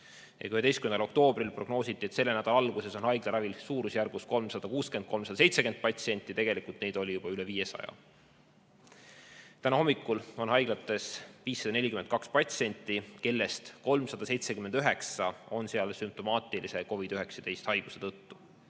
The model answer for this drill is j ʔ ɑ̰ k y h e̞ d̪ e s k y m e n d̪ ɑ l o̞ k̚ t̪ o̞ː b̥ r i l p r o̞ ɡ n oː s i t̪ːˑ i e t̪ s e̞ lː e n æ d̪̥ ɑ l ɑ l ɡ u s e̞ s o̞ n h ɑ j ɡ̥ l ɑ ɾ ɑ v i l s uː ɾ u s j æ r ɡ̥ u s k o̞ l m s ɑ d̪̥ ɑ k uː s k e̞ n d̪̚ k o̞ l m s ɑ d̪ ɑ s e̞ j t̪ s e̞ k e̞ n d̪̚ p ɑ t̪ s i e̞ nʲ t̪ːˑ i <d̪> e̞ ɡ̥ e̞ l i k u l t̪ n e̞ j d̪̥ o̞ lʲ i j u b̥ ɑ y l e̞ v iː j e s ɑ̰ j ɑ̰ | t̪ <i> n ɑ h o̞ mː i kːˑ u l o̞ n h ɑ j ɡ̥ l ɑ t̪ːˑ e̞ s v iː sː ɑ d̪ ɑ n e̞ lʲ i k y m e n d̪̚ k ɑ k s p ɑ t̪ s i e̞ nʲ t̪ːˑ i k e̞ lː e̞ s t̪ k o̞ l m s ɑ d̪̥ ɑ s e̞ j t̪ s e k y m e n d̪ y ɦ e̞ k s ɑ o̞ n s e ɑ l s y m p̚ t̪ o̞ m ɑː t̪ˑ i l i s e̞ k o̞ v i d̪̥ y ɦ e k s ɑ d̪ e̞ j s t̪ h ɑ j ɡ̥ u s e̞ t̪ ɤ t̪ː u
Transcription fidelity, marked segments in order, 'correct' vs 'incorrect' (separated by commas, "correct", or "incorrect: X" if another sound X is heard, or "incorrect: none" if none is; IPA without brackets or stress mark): incorrect: t̪, incorrect: æ